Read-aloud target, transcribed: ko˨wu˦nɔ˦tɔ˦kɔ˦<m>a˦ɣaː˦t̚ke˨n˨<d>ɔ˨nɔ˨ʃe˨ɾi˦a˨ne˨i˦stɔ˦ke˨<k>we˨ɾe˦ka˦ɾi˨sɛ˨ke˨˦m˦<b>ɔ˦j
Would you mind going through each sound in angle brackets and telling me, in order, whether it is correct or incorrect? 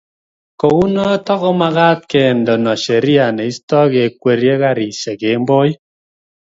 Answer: correct, correct, correct, correct

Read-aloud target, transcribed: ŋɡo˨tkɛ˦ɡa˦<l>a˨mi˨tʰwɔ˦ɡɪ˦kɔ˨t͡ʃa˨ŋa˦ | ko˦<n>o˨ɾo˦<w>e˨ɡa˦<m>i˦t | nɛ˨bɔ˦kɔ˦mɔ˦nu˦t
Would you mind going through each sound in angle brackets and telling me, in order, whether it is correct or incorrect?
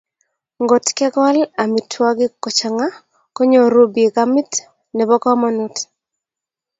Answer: correct, incorrect: ɲ, incorrect: b, correct

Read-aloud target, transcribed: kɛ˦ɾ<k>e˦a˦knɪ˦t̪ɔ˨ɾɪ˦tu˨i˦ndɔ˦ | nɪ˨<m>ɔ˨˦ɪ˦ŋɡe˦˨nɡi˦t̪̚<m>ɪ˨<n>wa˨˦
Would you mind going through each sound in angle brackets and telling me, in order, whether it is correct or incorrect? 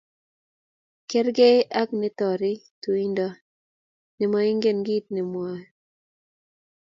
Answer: incorrect: ɡ, correct, incorrect: n, incorrect: m

